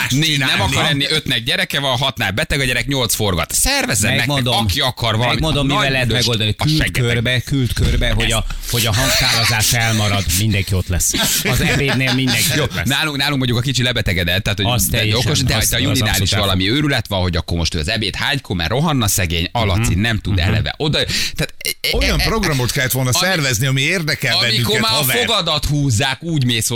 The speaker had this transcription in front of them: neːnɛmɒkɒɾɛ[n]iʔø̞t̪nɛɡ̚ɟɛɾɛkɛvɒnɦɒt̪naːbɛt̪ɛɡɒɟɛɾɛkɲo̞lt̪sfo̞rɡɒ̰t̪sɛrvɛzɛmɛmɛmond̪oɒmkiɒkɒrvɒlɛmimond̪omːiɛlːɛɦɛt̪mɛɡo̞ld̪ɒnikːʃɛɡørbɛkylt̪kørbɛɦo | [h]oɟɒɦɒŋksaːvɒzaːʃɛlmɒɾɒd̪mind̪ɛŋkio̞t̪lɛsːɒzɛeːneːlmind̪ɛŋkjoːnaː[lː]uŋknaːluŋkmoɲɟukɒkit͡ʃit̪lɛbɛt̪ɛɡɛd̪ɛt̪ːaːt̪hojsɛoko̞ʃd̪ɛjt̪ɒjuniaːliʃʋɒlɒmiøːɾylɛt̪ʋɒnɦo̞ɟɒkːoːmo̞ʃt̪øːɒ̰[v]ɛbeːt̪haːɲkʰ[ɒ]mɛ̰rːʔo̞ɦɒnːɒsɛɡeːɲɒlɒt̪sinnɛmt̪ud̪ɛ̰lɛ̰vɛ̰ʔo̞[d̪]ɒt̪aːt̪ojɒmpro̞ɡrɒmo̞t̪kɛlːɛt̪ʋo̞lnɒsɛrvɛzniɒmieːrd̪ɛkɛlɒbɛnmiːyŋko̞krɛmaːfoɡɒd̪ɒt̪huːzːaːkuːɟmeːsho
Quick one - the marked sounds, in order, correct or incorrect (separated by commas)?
incorrect, correct, incorrect, incorrect, incorrect, correct